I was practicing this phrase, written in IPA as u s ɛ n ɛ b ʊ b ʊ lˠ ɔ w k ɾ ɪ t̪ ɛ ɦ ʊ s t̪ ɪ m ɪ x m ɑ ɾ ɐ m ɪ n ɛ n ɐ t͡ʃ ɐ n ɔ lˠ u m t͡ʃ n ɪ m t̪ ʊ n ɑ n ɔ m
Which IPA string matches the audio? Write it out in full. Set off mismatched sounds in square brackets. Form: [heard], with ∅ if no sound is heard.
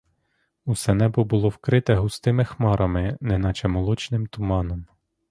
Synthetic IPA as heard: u s ɛ n ɛ b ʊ b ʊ lˠ ɔ w k ɾ ɪ t̪ ɛ ɦ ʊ s t̪ ɪ m ɪ x m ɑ ɾ ɐ m ɪ n ɛ n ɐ t͡ʃ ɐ [m] ɔ lˠ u [∅] t͡ʃ n ɪ m t̪ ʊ [m] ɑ n ɔ m